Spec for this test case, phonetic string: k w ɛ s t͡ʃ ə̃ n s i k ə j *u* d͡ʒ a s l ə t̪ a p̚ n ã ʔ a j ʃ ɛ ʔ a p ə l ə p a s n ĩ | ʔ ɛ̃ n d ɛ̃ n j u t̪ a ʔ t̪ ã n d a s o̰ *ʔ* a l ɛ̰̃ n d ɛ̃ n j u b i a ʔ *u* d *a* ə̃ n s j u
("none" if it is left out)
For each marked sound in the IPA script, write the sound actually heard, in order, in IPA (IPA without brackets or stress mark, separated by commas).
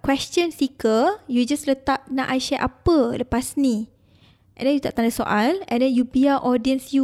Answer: u, ʔ, ɔ, i